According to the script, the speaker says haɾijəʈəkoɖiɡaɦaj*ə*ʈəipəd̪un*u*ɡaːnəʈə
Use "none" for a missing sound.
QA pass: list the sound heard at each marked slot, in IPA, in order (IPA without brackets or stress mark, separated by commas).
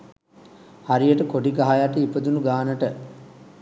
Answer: a, u